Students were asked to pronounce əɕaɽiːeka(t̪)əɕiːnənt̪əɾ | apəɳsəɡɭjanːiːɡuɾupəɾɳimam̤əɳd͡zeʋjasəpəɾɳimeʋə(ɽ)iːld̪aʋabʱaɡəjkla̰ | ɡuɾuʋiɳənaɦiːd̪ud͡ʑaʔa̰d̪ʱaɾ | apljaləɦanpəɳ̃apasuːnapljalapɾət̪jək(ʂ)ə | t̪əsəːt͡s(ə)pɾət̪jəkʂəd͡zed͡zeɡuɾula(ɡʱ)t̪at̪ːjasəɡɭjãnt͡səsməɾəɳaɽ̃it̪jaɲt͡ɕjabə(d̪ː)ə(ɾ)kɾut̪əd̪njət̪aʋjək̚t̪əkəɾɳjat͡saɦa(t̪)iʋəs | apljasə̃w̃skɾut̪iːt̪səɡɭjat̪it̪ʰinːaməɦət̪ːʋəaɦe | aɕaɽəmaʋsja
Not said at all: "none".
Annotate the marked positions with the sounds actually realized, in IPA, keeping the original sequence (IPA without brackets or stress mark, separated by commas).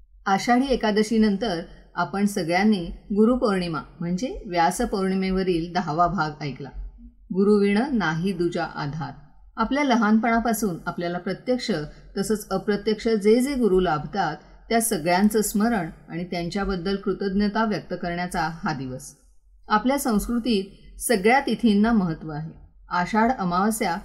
d̪, ɾ, ʂ, ə, bʱ, d̪ː, l, d̪